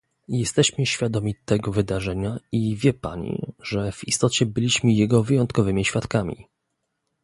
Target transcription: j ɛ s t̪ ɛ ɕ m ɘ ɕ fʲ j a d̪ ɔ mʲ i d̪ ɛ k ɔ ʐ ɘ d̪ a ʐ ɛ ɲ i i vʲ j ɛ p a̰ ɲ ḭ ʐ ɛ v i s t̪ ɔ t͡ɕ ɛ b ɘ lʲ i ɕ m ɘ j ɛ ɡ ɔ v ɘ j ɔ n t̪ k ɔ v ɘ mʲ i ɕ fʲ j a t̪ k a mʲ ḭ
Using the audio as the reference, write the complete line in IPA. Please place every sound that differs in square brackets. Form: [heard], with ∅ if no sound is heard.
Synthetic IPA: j ɛ s t̪ ɛ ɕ m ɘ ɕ fʲ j a d̪ ɔ mʲ i [t̪] ɛ [ɡ] ɔ [v] ɘ d̪ a ʐ ɛ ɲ [a] i vʲ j ɛ p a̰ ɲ ḭ ʐ ɛ v i s t̪ ɔ t͡ɕ ɛ b ɘ lʲ i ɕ m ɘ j ɛ ɡ ɔ v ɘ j ɔ n t̪ k ɔ v ɘ mʲ i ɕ fʲ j a t̪ k a mʲ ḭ